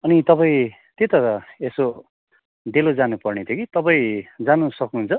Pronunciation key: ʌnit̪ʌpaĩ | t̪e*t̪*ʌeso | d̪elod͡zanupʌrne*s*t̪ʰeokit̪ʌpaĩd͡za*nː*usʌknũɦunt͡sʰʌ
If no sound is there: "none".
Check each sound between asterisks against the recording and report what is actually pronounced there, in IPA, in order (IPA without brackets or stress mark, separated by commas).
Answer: t̪, none, n